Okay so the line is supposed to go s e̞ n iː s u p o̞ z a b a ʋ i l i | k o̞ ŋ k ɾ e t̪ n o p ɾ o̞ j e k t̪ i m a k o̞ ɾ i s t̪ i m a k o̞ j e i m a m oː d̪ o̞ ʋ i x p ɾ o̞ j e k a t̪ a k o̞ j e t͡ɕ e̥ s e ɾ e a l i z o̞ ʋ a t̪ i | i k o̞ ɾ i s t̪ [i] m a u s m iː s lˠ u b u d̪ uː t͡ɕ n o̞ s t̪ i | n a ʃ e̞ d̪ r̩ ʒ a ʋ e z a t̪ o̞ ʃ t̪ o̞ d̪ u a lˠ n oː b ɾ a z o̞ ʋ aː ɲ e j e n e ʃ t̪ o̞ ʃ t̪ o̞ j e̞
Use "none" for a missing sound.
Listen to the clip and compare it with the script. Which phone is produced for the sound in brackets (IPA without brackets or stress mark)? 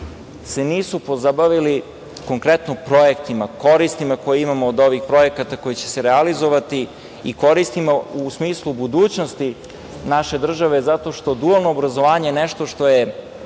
i